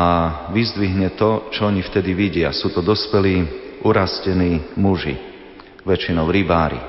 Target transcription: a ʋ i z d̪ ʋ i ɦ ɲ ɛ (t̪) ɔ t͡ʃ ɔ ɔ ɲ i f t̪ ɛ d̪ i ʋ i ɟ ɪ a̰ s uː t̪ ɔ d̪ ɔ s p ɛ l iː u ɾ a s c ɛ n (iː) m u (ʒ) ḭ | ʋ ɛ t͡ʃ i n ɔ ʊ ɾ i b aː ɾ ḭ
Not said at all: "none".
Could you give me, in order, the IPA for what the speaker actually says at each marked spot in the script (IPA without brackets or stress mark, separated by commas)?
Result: t̪, iː, ʒ